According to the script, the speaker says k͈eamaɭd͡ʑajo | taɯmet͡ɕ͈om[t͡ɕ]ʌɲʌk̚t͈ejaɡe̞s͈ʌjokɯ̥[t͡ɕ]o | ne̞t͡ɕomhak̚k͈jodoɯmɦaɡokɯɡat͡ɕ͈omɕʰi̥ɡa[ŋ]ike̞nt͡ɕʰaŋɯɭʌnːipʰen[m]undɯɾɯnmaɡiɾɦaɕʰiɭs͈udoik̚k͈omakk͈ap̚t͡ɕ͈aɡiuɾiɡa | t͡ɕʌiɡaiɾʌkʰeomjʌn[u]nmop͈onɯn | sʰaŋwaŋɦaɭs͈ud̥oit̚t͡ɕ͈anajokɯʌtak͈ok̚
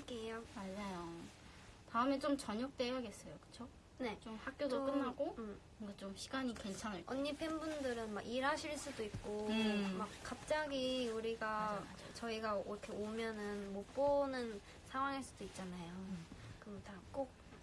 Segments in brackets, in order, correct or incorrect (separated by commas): correct, incorrect, incorrect, incorrect, incorrect